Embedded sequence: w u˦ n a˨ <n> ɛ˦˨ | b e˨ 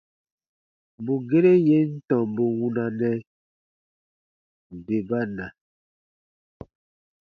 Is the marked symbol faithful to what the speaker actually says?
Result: yes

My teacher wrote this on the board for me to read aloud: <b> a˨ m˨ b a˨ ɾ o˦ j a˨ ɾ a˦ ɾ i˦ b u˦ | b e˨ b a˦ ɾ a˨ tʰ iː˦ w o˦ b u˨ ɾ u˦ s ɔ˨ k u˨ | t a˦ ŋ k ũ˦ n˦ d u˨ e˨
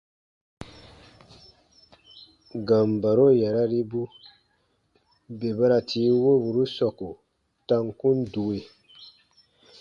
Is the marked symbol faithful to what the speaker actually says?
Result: no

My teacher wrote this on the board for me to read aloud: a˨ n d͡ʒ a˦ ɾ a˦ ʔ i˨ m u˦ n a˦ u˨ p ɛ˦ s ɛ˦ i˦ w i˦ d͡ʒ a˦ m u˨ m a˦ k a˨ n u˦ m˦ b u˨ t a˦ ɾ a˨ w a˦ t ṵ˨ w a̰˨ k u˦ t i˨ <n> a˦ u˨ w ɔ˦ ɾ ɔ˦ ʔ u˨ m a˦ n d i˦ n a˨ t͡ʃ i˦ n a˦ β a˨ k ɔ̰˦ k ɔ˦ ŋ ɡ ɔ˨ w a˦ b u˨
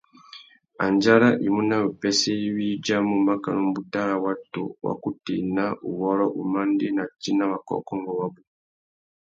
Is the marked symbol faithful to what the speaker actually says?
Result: yes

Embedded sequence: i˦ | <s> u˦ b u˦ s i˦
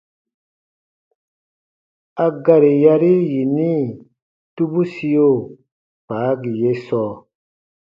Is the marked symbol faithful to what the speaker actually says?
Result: no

